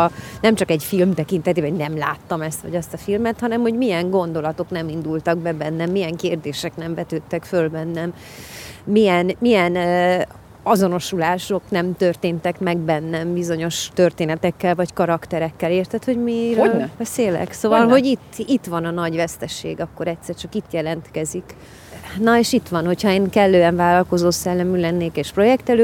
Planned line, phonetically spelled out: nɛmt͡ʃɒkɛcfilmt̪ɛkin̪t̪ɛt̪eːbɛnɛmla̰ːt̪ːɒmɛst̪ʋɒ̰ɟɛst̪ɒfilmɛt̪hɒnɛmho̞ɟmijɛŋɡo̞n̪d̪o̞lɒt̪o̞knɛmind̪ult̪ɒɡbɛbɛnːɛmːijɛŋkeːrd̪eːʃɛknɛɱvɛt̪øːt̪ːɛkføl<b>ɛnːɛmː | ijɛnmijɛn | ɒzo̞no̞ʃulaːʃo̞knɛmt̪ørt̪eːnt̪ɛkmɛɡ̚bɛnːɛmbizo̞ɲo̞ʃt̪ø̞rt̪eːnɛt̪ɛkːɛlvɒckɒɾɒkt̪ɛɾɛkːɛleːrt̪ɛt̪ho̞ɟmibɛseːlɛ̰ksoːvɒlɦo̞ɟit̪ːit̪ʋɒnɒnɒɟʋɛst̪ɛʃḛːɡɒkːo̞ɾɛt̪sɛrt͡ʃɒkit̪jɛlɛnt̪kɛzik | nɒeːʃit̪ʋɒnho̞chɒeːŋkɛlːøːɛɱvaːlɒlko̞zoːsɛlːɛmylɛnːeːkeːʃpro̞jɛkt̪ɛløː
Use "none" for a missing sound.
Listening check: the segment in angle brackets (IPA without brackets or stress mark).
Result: b